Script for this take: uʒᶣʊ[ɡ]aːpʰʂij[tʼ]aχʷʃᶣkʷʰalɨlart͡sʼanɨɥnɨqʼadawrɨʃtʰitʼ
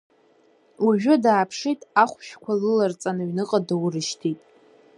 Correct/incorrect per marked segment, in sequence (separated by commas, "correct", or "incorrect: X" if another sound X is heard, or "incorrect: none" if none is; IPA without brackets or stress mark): incorrect: d, correct